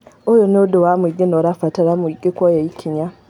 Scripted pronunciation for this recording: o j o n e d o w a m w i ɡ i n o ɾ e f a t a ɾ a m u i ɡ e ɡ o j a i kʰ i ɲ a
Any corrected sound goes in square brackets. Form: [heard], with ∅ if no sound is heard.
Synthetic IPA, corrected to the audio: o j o n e d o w a m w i ɡ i n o ɾ [a] f a t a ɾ a m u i ɡ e [k] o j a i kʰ i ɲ a